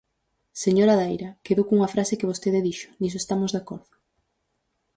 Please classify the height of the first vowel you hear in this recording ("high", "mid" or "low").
mid